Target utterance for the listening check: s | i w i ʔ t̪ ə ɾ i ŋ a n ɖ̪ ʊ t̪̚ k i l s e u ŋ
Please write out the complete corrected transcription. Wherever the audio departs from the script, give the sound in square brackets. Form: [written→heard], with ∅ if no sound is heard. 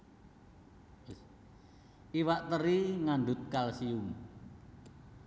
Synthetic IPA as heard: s | i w [i→a] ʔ t̪ ə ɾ i ŋ a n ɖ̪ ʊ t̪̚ k [i→a] l s [e→i] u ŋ